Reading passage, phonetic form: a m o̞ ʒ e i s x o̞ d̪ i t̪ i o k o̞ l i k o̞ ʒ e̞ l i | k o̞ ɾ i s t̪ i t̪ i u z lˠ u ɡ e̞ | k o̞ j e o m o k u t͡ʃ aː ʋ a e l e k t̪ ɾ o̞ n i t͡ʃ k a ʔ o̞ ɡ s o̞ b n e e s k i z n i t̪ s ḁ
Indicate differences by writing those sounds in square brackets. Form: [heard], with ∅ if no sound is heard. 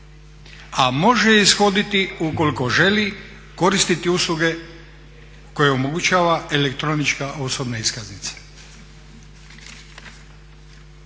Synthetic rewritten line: a m o̞ ʒ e i s x o̞ d̪ i t̪ i [u] k o̞ l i k o̞ ʒ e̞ l i | k o̞ ɾ i s t̪ i t̪ i u [s] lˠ u ɡ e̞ | k o̞ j e o m o [ɡ] u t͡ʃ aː ʋ a e l e k t̪ ɾ o̞ n i t͡ʃ k a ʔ o̞ [∅] s o̞ b n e [i] s k [a] z n i t̪ s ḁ